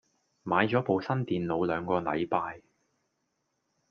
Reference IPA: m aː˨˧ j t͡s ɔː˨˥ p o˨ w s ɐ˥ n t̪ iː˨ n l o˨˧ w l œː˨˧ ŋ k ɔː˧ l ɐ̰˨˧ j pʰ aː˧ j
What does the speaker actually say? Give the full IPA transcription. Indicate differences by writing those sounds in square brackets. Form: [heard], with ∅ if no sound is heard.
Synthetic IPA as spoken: m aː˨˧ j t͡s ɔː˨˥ p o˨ w s ɐ˥ n t̪ iː˨ n l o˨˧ w l œː˨˧ ŋ k ɔː˧ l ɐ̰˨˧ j [p] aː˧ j